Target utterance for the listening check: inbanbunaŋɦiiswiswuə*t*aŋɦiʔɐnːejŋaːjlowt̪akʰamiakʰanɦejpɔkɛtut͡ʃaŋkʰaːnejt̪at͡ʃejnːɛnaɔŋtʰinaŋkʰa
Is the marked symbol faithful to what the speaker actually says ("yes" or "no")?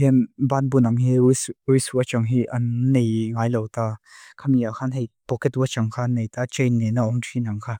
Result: no